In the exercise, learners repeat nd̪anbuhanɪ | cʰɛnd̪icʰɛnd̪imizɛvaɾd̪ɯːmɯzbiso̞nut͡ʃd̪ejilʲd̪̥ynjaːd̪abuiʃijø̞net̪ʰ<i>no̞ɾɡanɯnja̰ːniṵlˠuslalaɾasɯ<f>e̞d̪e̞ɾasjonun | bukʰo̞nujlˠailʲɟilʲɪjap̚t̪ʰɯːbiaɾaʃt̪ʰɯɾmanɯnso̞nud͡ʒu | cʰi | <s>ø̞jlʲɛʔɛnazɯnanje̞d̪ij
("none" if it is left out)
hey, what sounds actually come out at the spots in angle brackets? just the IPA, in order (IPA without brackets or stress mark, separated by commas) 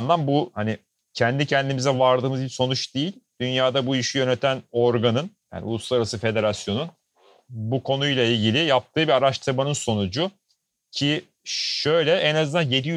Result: æ, f, ʃ